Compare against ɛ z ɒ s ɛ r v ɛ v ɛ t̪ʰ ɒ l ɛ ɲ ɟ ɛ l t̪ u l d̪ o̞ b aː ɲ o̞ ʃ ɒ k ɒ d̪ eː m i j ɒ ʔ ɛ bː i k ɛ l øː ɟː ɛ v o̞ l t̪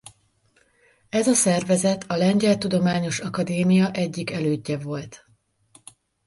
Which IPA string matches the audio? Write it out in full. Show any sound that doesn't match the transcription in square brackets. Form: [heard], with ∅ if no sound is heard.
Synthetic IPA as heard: ɛ z ɒ s ɛ r v ɛ [z] ɛ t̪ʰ ɒ l ɛ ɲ ɟ ɛ l t̪ u [∅] d̪ o̞ [m] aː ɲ o̞ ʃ ɒ k ɒ d̪ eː m i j ɒ ʔ ɛ [ɟː] i k ɛ l øː ɟː ɛ v o̞ l t̪